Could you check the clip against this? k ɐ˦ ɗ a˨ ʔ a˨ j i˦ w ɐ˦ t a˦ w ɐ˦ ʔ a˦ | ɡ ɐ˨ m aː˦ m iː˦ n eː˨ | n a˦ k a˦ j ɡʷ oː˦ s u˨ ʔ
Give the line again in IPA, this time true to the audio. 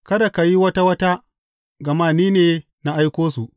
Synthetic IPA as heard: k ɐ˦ d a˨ k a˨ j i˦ w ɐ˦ t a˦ w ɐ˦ t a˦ | ɡ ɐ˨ m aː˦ n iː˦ n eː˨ | n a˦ ʔ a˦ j kʷ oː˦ s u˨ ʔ